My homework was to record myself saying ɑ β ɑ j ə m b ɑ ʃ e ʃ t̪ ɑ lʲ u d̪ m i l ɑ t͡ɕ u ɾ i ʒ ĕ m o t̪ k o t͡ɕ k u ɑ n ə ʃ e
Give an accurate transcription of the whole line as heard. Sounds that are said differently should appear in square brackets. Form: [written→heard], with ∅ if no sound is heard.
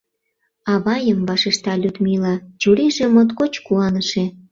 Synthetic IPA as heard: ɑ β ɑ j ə m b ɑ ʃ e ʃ t̪ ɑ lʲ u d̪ m i l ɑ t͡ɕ u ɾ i ʒ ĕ m o t̪ k o t͡ɕ k u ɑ n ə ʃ e